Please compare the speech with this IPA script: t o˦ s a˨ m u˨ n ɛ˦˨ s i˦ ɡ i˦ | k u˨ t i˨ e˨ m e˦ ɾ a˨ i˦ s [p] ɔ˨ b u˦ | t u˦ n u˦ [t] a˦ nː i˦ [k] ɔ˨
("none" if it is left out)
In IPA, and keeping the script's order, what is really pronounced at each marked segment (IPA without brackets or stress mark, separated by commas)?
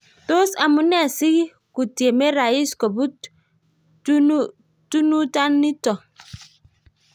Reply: k, t, t